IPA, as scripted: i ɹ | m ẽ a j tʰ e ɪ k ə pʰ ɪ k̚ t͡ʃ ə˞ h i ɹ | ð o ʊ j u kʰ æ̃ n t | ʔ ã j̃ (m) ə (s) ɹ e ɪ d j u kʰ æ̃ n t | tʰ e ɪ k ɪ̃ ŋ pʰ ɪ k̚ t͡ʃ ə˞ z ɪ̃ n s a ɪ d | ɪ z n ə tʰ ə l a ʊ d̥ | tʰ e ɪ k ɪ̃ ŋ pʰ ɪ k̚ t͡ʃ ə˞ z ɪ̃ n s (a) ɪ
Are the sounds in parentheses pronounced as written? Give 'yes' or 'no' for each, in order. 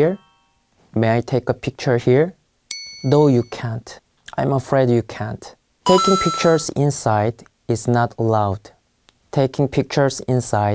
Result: yes, no, yes

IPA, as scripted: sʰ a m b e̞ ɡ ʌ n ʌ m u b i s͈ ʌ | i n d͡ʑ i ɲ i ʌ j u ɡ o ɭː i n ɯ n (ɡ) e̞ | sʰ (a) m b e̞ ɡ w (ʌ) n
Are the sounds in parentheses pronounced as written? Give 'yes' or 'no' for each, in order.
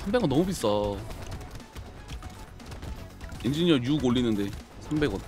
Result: no, yes, yes

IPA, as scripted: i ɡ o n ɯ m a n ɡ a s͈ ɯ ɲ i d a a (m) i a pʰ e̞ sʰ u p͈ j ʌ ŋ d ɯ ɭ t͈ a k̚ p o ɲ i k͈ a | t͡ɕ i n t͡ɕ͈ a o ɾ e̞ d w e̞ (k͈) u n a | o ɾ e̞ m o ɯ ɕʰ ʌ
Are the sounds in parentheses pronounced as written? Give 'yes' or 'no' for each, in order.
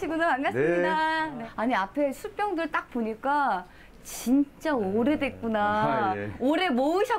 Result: no, yes

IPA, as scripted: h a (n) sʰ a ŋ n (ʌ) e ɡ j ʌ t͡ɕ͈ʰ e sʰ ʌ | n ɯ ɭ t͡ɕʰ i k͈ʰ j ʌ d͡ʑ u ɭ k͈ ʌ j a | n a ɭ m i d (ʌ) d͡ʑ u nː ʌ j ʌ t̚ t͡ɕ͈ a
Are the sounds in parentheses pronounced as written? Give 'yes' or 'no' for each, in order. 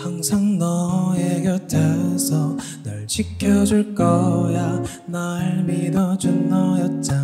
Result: no, yes, yes

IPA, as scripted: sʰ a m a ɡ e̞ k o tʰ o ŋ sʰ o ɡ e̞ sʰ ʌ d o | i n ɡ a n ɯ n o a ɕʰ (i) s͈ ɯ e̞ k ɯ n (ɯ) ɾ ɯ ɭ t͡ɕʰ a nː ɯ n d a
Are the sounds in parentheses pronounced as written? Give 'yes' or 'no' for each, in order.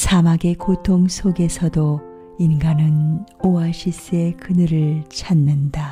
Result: yes, yes

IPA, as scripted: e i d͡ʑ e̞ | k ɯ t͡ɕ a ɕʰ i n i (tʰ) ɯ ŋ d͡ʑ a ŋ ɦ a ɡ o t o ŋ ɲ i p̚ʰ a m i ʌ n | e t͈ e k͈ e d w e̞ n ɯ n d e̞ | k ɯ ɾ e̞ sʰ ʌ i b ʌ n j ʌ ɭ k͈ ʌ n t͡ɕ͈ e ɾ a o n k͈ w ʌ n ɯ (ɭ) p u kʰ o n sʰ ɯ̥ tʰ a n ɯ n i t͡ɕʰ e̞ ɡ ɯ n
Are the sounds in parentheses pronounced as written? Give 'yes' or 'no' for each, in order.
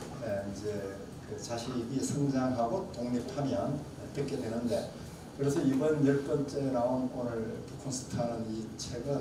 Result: no, yes

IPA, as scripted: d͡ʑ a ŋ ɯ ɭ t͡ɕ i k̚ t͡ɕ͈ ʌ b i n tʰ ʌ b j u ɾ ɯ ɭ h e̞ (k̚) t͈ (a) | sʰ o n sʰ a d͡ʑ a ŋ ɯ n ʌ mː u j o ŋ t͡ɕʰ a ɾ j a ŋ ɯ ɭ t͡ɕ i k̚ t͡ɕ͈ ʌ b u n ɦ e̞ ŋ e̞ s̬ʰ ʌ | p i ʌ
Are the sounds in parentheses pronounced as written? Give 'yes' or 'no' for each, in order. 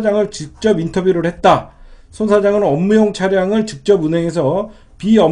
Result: no, yes

